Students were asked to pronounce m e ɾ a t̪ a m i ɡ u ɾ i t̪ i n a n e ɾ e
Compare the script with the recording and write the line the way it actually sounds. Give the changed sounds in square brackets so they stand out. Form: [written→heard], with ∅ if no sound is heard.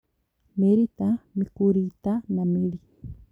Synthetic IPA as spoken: m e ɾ [a→i] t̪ a m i [ɡ→k] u ɾ i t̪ [i→a] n a [n→m] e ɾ [e→i]